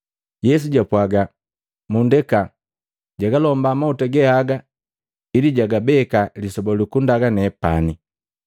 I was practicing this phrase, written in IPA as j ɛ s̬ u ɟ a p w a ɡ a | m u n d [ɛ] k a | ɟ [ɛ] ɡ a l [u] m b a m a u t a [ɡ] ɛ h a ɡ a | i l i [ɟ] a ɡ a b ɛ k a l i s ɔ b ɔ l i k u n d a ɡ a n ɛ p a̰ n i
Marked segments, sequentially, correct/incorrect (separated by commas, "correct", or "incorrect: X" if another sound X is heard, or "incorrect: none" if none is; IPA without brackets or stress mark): correct, incorrect: a, incorrect: ɔ, correct, correct